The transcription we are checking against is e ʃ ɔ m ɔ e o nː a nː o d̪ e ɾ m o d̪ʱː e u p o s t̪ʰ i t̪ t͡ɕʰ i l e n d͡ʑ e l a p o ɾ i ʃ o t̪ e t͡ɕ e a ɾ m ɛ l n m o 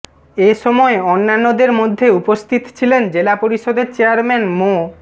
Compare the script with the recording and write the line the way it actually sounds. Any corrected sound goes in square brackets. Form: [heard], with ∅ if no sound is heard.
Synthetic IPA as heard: e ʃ ɔ m ɔ e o nː a nː o d̪ e ɾ m o d̪ʱː e u p o s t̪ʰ i t̪ t͡ɕʰ i l e n d͡ʑ e l a p o ɾ i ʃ o [d̪] e t͡ɕ e a ɾ m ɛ [∅] n m o